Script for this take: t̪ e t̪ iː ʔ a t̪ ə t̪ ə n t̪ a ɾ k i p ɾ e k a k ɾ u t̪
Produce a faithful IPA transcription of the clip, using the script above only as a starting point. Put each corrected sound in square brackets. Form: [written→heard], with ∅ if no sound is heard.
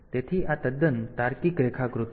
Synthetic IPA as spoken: t̪ e [t̪→t̪ʰ] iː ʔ a t̪ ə [t̪→d̪] ə n t̪ a ɾ k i [p→k] ɾ e [k→kʰ] a k ɾ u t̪